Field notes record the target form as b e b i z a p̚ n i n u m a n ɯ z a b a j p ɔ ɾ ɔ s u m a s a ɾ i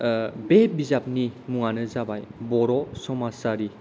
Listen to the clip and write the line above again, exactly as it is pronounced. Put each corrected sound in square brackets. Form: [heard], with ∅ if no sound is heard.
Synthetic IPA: b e b i z a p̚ n i [m] u [ŋ] a n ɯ z a b a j [b] ɔ ɾ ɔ s [ɔ] m a s a ɾ i